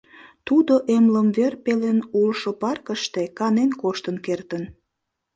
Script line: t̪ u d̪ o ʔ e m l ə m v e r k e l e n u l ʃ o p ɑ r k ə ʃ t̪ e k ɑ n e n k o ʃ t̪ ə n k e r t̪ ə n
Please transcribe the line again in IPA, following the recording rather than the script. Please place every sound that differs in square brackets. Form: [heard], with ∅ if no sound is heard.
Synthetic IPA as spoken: t̪ u d̪ o ʔ e m l ə m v e r [p] e l e n u l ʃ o p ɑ r k ə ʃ t̪ e k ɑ n e n k o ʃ t̪ ə n k e r t̪ ə n